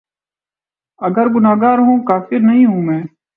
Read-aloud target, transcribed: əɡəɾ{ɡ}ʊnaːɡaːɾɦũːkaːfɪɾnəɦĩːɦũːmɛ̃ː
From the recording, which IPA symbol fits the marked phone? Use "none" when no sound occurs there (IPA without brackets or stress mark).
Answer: ɡ